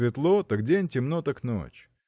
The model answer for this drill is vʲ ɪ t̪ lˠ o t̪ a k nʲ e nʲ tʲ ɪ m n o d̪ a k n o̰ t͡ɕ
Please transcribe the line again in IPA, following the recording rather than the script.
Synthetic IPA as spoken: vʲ ɪ t̪ lˠ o t̪ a k dʲ e nʲ tʲ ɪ m n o t̪ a k n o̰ t͡ɕ